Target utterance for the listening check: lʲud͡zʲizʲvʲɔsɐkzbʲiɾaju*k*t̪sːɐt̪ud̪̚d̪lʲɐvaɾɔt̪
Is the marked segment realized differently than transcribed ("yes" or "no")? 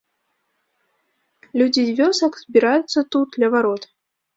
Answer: yes